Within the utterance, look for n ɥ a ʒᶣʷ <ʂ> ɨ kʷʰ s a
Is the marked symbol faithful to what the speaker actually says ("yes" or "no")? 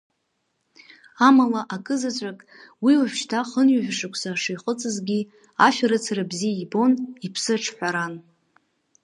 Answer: yes